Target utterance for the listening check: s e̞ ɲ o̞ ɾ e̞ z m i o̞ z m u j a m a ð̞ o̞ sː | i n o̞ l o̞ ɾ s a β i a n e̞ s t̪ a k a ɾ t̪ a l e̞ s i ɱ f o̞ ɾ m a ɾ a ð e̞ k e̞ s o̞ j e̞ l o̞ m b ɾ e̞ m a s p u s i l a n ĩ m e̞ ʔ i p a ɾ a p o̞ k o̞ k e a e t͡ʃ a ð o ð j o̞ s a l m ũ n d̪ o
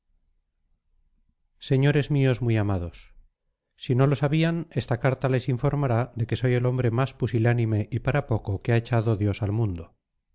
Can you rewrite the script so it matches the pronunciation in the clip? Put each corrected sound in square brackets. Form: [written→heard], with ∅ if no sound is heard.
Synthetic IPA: s e̞ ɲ o̞ ɾ e̞ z m i o̞ z m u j a m a ð̞ o̞ sː | i n o̞ l o̞ [ɾ→∅] s a β i a n e̞ s t̪ a k a ɾ t̪ a l e̞ s i ɱ f o̞ ɾ m a ɾ a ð e̞ k e̞ s o̞ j e̞ l o̞ m b ɾ e̞ m a s p u s i l a n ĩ m e̞ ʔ i p a ɾ a p o̞ k o̞ k e a e t͡ʃ a ð o ð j o̞ s a l m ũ n d̪ o